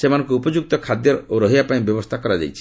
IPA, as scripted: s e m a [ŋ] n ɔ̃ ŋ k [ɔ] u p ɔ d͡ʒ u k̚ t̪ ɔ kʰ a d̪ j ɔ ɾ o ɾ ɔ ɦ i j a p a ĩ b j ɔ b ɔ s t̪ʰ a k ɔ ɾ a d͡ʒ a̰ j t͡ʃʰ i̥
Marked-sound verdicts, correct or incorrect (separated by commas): incorrect, incorrect